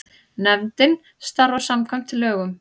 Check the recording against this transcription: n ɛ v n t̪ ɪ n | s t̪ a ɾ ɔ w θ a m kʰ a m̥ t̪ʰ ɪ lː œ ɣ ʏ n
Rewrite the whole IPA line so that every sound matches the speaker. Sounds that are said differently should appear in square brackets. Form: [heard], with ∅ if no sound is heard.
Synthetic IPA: n ɛ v n t̪ ɪ n | s t̪ a ɾ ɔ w [s] a m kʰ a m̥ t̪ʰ ɪ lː [œː] ɣ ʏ [m]